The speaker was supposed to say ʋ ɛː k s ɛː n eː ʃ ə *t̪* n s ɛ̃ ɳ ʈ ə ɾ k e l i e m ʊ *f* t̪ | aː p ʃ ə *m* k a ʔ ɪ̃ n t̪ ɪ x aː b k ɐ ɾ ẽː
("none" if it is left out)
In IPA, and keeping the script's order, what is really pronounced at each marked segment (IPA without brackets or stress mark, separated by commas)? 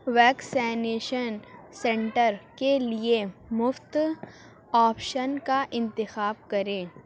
none, f, n